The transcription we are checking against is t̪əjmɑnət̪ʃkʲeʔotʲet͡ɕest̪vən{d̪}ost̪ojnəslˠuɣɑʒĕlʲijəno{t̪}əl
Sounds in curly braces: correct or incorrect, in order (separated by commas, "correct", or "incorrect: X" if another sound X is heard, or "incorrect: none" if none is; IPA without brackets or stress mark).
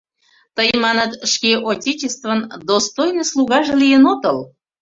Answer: correct, correct